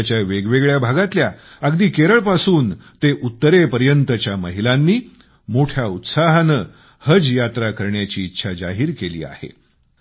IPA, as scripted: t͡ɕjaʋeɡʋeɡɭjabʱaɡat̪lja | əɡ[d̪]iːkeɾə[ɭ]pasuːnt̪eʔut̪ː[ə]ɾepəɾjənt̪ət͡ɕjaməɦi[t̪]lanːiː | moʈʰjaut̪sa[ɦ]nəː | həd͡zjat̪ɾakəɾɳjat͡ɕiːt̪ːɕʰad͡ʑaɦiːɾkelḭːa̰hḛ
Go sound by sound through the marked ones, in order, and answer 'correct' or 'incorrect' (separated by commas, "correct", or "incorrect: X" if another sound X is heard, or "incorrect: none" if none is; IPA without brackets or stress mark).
correct, correct, correct, incorrect: none, correct